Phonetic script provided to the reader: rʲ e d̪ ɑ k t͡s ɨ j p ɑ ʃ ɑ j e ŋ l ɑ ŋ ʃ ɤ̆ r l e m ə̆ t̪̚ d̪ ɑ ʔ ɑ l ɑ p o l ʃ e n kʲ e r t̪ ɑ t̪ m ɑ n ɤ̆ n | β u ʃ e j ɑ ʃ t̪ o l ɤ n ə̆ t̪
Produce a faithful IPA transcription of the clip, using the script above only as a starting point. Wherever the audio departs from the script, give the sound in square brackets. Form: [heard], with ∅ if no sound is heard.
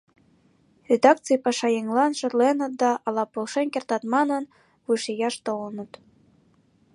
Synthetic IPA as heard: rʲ e d̪ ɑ k t͡s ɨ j p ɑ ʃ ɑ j e ŋ l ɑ [n] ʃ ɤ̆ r l e [n] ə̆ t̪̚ d̪ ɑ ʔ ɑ l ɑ p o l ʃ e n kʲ e r t̪ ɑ t̪ m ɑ n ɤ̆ n | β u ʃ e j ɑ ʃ t̪ o l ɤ n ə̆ t̪